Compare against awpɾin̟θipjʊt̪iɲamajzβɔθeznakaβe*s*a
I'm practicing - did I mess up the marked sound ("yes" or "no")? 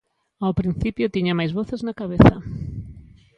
yes